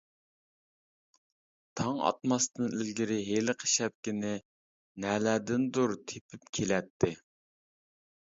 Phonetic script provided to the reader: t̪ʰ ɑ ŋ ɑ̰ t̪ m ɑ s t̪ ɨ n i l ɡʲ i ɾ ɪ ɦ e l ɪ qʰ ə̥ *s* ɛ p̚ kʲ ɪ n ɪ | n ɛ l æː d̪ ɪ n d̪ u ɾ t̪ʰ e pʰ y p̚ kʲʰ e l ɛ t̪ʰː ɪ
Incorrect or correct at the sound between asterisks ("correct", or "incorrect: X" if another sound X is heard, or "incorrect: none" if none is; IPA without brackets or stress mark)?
incorrect: ʃ